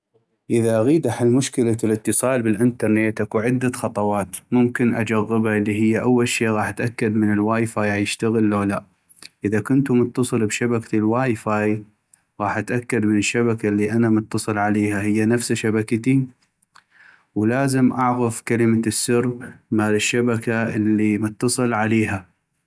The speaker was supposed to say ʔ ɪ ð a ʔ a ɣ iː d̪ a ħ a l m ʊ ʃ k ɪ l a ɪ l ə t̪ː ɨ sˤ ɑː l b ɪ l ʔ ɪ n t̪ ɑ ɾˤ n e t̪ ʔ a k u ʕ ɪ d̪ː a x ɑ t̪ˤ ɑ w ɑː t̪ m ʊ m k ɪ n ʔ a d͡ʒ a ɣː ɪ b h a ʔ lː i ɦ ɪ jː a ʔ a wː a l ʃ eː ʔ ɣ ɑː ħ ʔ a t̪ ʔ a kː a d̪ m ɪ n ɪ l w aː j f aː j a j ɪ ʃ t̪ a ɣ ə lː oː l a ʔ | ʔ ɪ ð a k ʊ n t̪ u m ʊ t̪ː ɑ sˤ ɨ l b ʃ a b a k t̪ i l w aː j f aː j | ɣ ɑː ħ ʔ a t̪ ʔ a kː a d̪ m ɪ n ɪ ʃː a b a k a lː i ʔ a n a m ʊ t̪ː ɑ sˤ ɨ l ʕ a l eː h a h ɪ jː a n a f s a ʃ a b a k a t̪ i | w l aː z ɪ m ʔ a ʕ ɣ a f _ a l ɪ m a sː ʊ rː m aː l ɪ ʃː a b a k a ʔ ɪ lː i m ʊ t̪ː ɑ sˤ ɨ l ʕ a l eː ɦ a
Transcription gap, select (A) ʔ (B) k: B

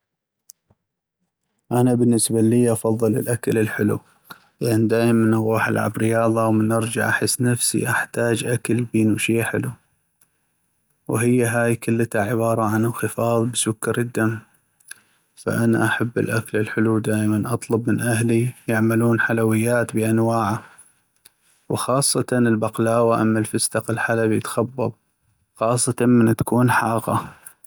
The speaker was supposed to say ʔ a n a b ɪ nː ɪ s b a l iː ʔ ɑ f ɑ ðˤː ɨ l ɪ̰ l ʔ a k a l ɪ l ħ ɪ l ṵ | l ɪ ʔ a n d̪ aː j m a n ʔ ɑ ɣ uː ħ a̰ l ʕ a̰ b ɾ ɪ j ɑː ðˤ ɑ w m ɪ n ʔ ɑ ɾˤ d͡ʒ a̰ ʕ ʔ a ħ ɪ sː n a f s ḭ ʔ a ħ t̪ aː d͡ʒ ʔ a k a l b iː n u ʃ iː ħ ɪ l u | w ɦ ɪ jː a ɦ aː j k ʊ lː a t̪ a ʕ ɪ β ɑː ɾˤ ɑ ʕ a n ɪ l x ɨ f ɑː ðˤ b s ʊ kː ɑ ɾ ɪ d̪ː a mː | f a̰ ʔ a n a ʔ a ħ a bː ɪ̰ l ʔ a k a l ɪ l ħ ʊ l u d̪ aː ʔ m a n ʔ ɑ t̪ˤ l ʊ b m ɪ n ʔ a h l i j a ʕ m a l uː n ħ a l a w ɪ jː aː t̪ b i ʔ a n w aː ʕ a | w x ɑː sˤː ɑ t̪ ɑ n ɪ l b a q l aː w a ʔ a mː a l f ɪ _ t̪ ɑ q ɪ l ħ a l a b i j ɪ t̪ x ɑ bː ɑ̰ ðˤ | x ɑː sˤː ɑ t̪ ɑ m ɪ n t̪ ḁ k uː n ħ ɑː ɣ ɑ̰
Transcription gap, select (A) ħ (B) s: B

